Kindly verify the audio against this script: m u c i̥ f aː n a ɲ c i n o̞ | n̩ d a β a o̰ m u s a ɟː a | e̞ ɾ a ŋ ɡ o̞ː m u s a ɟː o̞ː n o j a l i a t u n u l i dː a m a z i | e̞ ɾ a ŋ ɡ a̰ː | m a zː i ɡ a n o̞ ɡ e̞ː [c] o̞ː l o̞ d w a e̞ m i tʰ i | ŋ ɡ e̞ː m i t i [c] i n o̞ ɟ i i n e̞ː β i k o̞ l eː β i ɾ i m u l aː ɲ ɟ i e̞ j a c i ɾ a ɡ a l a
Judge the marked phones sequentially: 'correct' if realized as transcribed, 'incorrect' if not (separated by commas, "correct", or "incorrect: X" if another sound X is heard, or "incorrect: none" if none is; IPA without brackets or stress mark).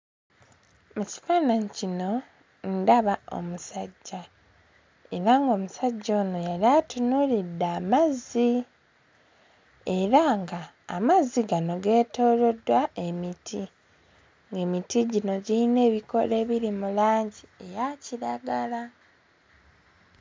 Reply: incorrect: t, incorrect: ɟ